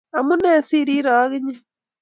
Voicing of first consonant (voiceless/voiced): voiced